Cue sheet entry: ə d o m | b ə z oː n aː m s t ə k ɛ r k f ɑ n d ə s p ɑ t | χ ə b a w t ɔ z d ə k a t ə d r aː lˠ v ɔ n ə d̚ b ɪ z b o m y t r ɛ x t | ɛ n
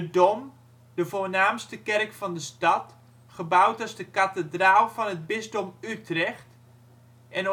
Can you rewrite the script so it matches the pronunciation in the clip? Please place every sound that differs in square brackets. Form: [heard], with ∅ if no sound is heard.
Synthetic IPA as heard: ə d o m | [d] ə [v] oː n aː m s t ə k ɛ r k f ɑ n d ə s [t] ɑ t | χ ə b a w t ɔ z d ə k a t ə d r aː lˠ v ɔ n ə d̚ b ɪ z [d] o m y t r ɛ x t | ɛ n